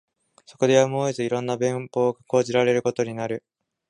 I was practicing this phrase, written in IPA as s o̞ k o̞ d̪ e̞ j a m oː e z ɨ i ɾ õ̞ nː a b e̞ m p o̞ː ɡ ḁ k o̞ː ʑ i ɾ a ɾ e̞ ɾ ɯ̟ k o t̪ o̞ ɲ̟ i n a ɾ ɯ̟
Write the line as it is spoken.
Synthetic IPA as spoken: s o̞ k o̞ d̪ e̞ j a m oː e z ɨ i ɾ õ̞ nː a b ẽ̞ m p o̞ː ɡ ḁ k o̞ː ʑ i ɾ a ɾ e̞ ɾ ɯ̟ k o t̪ o̞ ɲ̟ i n a ɾ ɯ̟